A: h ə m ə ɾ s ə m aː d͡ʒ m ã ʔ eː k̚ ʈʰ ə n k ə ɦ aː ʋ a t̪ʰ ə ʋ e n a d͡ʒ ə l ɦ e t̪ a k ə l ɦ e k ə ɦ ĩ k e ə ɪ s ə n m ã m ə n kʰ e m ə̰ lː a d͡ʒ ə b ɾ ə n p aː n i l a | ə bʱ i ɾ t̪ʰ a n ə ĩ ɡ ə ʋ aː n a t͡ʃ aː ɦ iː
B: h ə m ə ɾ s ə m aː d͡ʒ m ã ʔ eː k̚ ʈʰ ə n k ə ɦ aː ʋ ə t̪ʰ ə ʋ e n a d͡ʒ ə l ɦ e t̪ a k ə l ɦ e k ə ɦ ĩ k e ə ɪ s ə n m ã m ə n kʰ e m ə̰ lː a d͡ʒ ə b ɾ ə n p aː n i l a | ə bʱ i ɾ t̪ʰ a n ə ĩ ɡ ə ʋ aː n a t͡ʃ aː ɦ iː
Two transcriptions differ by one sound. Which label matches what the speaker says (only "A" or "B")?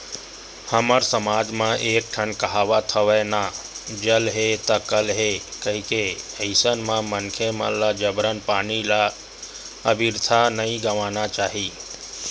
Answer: A